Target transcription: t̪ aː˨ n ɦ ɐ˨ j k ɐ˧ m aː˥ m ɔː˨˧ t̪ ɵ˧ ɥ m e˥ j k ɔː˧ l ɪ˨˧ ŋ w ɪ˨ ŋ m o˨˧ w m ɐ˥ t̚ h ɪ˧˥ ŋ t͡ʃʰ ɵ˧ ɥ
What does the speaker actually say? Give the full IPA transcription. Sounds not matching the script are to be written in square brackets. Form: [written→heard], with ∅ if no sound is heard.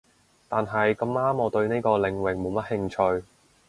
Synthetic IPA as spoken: t̪ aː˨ n ɦ ɐ˨ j k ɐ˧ m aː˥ m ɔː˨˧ t̪ ɵ˧ ɥ [m→n] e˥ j k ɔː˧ l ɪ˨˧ ŋ w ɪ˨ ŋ m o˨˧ w m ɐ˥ t̚ h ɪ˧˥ ŋ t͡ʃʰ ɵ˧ ɥ